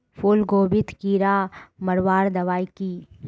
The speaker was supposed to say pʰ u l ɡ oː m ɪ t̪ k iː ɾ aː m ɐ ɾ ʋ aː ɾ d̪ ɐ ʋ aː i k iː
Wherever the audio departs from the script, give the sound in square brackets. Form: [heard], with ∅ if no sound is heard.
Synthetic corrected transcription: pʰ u l ɡ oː [b] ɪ t̪ k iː ɾ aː m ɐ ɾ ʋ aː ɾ d̪ ɐ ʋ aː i k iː